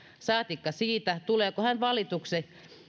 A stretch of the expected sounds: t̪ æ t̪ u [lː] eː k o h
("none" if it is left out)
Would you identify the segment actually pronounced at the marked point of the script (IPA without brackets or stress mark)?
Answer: l